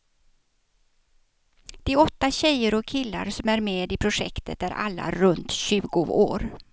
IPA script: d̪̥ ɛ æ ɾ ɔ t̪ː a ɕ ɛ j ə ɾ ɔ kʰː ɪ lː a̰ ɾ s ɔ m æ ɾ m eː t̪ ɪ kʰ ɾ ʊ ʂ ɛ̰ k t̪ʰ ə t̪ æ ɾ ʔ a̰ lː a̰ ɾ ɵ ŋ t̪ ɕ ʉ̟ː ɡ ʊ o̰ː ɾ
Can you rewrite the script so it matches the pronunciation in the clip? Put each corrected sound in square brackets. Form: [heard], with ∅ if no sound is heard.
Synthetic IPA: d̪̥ ɛ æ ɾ ɔ t̪ː a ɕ ɛ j ə ɾ ɔ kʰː ɪ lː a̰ ɾ s ɔ m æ ɾ m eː [d̪] ɪ [pʰ] ɾ ʊ ʂ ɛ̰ k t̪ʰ ə t̪ æ ɾ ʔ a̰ lː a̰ ɾ ɵ [n] t̪ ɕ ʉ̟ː ɡ ʊ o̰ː ɾ